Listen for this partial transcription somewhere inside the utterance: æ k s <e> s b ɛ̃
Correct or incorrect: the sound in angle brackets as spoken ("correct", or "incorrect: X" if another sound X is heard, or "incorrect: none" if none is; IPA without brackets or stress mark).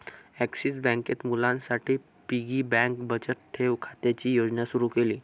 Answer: incorrect: i